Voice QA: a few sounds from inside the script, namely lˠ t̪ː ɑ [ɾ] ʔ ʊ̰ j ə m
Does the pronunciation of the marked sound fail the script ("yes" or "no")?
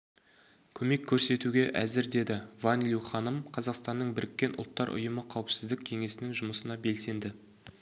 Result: no